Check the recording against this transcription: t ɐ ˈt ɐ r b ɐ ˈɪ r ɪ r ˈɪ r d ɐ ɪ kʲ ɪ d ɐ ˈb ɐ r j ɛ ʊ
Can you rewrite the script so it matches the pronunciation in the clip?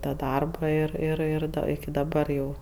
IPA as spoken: t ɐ ˈd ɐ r b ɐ ˈɪ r ɪ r ˈɪ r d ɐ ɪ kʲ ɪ d ɐ ˈb ɐ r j ɛ ʊ